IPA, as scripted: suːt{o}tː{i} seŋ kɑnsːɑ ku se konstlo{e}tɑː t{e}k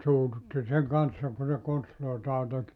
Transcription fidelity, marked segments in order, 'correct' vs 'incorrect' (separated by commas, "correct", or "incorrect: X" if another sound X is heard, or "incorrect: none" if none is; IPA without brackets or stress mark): incorrect: u, correct, incorrect: i, correct